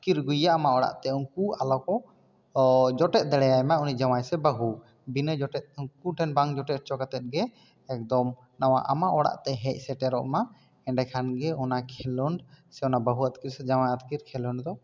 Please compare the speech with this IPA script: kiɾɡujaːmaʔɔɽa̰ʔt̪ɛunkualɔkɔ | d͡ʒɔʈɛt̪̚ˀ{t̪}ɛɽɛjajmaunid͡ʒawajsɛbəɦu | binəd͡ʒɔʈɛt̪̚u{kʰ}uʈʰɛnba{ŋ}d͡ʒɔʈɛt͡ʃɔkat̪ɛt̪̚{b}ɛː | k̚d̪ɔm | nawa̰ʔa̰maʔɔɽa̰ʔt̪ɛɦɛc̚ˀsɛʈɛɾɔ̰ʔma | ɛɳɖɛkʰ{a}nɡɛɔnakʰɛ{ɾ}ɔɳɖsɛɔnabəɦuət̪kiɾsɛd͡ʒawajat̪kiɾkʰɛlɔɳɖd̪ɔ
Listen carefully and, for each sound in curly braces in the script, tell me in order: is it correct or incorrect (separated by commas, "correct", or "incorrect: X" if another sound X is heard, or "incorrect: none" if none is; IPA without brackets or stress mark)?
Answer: incorrect: d̪, incorrect: k, correct, incorrect: ɡ, correct, incorrect: l